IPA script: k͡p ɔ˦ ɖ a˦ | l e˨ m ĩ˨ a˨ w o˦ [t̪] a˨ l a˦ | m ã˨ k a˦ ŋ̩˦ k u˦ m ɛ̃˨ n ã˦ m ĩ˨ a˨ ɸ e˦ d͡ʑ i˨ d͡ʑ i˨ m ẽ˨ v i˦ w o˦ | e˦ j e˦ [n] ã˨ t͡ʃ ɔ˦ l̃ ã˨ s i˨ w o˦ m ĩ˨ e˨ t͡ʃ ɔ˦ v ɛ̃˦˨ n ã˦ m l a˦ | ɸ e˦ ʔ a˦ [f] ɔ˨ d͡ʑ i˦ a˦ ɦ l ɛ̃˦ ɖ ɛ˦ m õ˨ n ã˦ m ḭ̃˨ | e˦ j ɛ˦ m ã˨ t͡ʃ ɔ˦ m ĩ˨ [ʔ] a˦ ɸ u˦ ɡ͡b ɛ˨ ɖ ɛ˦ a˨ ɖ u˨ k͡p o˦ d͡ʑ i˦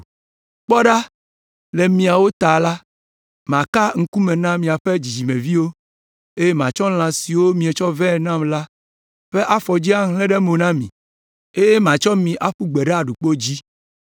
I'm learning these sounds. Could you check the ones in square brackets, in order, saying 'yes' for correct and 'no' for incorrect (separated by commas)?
yes, no, yes, yes